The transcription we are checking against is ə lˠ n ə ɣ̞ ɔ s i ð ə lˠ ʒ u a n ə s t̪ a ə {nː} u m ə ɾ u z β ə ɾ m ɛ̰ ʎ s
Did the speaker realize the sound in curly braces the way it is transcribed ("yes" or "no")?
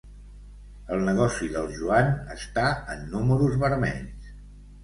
yes